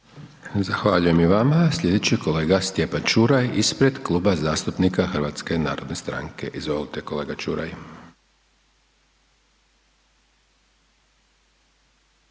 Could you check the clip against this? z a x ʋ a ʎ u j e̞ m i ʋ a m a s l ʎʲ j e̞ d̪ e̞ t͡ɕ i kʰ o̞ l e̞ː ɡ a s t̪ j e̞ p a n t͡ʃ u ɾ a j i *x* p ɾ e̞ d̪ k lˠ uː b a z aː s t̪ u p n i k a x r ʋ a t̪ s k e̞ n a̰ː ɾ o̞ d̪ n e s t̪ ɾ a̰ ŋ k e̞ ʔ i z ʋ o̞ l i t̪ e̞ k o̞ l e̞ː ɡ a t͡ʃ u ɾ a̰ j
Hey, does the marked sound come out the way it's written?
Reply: no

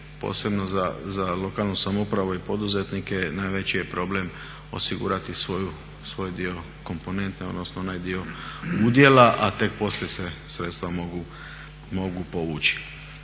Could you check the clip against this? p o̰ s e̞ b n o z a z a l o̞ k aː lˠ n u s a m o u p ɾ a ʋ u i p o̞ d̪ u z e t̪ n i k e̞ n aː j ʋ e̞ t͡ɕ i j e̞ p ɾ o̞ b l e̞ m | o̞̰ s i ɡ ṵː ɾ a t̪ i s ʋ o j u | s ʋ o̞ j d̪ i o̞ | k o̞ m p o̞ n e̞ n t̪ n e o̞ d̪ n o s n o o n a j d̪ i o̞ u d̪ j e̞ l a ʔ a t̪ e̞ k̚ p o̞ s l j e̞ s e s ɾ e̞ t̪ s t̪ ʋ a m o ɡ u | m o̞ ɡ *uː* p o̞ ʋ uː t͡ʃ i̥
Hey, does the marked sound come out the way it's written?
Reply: no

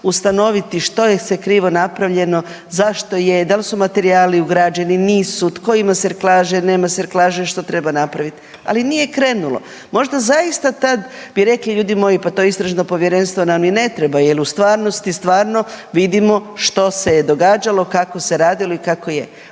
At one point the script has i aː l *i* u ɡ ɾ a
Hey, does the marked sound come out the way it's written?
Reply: yes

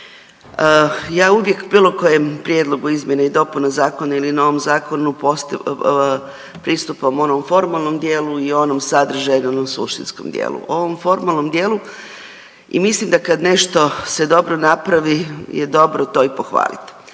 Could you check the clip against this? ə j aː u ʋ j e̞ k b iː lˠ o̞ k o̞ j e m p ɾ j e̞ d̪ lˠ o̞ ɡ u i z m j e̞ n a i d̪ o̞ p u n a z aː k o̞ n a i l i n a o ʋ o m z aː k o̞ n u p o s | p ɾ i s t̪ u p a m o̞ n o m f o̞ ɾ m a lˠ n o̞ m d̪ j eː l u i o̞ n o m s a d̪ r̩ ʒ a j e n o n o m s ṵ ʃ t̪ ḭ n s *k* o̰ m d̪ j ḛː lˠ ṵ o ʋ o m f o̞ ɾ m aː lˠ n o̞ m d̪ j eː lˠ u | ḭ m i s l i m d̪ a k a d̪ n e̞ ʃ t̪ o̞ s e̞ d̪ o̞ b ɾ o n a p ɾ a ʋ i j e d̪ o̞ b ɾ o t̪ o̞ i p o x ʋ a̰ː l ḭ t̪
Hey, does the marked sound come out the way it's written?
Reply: yes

